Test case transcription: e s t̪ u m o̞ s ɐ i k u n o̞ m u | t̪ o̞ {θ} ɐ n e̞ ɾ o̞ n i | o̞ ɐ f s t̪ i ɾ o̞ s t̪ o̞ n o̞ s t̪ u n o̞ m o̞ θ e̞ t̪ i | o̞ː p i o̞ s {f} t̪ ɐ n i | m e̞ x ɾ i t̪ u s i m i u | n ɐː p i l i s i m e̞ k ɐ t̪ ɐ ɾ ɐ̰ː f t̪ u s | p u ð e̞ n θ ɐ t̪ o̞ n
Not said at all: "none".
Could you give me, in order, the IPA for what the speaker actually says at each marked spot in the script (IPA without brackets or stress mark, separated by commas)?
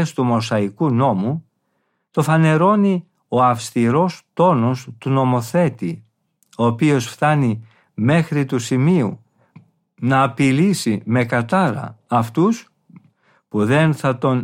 f, f